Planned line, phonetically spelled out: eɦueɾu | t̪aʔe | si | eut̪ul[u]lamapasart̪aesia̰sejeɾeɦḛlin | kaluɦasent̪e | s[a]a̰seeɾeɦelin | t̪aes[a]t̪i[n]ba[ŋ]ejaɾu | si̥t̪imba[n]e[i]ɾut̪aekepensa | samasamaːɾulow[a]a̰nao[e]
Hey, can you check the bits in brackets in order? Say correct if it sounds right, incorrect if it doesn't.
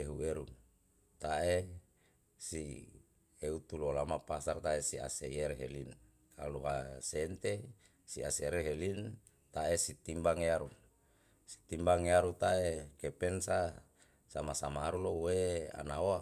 incorrect: o, incorrect: i, incorrect: i, incorrect: m, correct, incorrect: ŋ, incorrect: a, incorrect: e, incorrect: a

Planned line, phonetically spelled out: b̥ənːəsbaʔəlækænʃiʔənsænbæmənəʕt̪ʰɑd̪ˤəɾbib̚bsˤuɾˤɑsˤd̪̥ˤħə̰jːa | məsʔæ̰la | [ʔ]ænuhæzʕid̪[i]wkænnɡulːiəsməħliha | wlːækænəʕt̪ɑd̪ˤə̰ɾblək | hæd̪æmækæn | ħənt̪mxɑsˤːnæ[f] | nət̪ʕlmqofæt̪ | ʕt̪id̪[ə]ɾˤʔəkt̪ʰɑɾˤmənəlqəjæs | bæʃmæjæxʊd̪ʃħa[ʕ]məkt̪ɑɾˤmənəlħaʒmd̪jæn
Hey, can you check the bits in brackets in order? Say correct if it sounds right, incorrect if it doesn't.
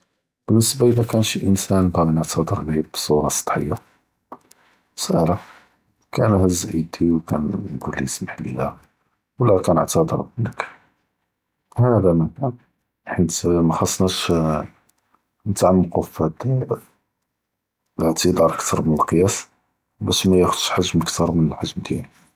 incorrect: k, correct, incorrect: ʃ, incorrect: ɑ, incorrect: ʒ

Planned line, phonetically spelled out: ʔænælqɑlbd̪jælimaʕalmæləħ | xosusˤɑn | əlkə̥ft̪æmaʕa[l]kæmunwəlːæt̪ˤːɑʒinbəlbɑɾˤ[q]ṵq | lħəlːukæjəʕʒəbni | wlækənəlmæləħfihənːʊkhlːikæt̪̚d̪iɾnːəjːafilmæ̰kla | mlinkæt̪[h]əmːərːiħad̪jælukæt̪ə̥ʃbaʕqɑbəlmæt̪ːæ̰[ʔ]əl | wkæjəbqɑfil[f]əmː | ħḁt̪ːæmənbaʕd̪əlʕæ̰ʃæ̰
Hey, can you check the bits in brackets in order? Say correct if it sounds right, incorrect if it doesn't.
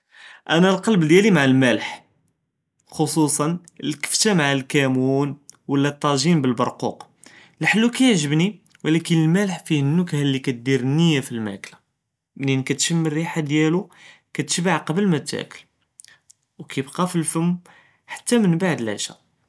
correct, correct, incorrect: ʃ, incorrect: k, correct

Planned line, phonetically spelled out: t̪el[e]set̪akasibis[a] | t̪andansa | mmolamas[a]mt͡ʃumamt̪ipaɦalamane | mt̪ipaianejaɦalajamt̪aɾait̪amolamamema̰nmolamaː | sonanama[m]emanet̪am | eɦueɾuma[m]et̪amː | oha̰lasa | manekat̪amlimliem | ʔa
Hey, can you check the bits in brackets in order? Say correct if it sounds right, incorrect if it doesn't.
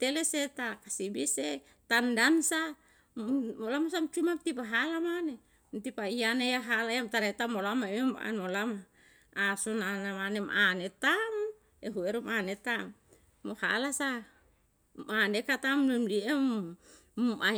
correct, incorrect: e, correct, incorrect: n, incorrect: n

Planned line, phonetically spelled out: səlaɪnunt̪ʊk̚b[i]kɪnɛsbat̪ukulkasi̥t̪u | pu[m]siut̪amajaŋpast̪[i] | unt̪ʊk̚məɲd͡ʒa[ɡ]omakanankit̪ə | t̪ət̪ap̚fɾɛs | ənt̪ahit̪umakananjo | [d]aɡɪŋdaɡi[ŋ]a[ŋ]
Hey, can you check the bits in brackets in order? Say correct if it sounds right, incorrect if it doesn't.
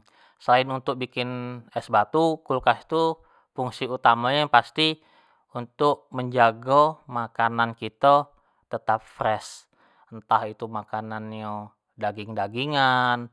correct, incorrect: ŋ, correct, correct, correct, correct, incorrect: n

